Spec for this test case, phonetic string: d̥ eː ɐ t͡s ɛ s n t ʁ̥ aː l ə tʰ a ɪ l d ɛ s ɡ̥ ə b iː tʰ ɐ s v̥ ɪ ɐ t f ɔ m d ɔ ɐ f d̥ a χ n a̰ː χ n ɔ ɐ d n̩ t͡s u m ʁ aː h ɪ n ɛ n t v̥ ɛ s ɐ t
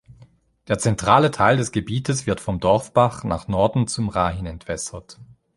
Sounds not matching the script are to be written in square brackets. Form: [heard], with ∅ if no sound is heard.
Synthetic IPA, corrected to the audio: d̥ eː ɐ t͡s ɛ [∅] n t ʁ̥ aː l ə tʰ a ɪ l d ɛ s ɡ̥ ə b iː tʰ [ə] s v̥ ɪ ɐ t f ɔ m d ɔ ɐ f [b̥] a χ n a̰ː χ n ɔ ɐ d n̩ t͡s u m ʁ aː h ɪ n ɛ n t v̥ ɛ s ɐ t